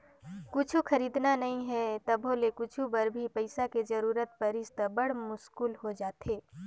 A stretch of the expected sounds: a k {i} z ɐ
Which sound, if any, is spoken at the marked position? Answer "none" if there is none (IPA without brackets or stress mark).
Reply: e